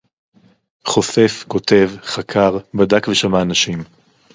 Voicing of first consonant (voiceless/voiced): voiceless